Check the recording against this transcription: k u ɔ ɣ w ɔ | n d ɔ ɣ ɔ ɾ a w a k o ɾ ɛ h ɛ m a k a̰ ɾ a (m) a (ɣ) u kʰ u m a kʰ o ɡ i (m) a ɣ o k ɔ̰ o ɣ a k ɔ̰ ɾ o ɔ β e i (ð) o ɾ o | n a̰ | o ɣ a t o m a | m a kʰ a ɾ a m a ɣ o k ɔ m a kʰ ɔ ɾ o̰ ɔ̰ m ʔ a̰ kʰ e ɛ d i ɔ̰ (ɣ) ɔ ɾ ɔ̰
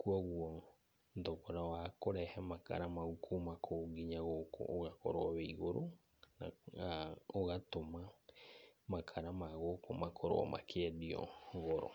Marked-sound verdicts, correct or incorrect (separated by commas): correct, correct, incorrect, incorrect, correct